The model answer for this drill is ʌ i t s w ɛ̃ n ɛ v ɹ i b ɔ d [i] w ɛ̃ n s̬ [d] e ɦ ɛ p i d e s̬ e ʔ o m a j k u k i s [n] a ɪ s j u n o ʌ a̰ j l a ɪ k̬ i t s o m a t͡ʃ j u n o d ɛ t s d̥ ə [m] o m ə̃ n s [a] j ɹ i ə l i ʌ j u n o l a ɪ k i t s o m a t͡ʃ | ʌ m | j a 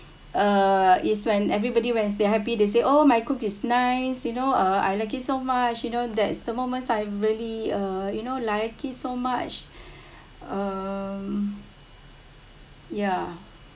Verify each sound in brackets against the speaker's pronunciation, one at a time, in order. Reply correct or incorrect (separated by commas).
correct, correct, correct, correct, correct